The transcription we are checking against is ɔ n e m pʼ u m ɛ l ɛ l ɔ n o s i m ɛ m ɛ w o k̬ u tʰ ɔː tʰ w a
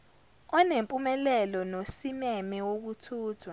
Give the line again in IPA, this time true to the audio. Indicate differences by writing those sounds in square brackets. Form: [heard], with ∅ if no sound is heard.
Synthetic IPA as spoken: ɔ n e m pʼ u m ɛ l ɛ l ɔ n o s i m ɛ m ɛ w o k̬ u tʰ [uː] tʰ w a